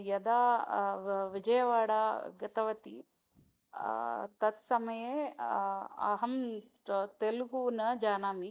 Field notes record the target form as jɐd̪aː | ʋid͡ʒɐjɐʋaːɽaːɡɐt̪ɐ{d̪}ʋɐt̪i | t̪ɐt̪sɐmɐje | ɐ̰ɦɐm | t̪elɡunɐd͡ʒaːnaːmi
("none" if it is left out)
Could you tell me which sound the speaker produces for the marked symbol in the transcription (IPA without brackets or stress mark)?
none